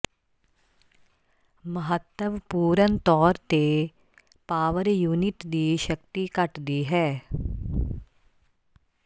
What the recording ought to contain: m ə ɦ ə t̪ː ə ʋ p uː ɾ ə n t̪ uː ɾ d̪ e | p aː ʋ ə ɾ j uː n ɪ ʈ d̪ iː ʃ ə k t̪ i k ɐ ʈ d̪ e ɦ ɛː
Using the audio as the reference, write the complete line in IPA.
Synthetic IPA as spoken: m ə ɦ ə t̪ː ə ʋ p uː ɾ ə n t̪ ɔː ɾ t̪ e | p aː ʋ ə ɾ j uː n ɪ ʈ d̪ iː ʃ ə k t̪ i k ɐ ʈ d̪ i ɦ ɛː

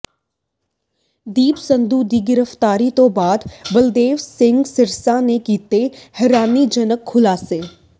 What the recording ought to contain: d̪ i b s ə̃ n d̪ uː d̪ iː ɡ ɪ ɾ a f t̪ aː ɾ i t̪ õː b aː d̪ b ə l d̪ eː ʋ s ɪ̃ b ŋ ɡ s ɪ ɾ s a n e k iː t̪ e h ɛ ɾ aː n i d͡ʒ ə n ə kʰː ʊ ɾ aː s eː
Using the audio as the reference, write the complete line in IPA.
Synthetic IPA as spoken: d̪ iː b s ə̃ n d̪ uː d̪ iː ɡ ɪ ɾ ə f t̪ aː ɾ i t̪ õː b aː d̪ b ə l d̪ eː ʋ s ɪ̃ ŋ ɡ s ɪ ɾ s a n e k iː t̪ e h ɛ ɾ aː n i d͡ʒ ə n ə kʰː ʊ l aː s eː

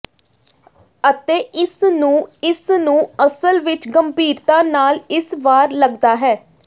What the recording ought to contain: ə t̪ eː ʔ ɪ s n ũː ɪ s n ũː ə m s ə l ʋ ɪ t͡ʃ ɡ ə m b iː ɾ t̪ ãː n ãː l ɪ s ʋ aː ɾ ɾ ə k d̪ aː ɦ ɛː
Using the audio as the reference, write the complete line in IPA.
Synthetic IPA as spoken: ə t̪ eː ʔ ɪ s n ũː ɪ s n ũː ə s ə l ʋ ɪ t͡ʃ ɡ ə m b iː ɾ t̪ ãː n aː l ɪ s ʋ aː ɾ l ə ɡ d̪ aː ɦ ɛː

